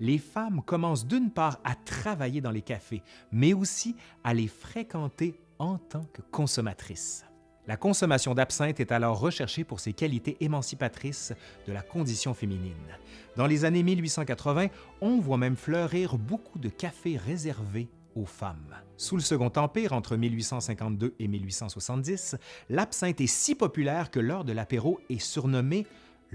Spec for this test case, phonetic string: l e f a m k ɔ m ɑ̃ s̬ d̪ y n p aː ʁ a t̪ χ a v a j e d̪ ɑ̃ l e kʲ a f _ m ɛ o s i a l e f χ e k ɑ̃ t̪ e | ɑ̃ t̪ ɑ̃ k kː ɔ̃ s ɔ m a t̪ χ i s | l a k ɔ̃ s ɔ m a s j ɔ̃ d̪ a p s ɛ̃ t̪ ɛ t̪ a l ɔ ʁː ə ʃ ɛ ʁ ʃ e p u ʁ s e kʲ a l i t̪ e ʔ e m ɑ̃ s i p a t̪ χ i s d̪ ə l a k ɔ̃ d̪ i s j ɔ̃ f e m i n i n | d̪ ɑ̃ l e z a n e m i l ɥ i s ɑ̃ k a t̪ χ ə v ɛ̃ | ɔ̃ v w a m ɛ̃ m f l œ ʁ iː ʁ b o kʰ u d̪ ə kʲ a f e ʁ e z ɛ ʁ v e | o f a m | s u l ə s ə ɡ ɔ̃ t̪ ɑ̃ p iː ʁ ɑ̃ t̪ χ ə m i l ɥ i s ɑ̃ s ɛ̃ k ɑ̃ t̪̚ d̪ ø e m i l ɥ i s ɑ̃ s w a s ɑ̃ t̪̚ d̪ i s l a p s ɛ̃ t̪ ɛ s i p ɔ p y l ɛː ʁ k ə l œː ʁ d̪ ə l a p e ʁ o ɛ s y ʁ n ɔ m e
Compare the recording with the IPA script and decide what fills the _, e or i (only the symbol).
e